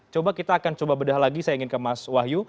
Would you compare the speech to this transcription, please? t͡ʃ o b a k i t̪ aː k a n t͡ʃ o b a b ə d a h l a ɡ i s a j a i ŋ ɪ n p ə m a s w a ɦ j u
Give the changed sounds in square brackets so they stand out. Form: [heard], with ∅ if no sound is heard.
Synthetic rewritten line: t͡ʃ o b a k i t̪ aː k a n t͡ʃ o b a b ə d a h l a ɡ i s a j a i ŋ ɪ n [k] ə m a s w a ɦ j u